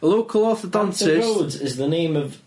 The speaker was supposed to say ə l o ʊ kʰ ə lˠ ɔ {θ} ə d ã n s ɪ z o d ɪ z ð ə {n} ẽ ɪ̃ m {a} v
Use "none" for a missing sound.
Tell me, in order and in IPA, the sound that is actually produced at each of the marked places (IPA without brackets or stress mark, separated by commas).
θ, n, ə